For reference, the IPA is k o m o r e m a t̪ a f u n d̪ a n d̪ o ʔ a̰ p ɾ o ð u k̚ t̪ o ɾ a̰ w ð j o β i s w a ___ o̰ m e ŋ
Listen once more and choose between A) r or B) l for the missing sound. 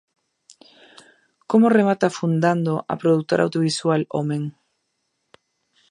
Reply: B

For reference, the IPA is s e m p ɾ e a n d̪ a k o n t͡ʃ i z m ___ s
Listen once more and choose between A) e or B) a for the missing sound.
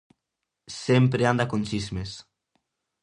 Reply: A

